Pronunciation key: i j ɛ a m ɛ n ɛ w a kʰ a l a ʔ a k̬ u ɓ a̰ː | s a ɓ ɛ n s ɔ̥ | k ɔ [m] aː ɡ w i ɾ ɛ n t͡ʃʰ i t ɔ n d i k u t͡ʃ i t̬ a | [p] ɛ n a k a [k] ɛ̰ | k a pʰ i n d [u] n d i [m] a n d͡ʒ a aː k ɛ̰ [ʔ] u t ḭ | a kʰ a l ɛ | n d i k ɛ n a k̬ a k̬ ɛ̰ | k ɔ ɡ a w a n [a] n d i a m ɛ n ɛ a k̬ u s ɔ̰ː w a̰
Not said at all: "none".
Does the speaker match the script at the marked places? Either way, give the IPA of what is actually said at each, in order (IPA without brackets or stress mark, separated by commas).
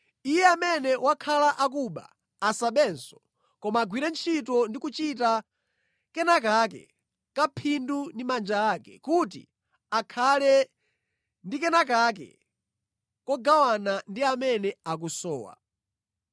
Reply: m, k, k, u, m, k, a